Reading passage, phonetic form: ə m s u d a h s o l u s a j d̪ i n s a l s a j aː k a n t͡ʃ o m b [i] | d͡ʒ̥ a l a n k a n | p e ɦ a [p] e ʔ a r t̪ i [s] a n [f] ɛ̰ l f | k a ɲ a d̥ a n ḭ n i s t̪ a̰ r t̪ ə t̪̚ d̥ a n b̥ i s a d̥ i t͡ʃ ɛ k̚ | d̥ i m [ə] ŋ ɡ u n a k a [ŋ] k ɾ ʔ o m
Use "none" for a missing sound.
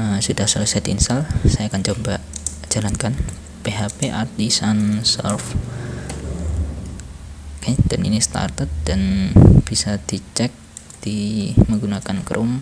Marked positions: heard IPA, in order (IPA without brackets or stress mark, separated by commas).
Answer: a, p, s, s, ə, n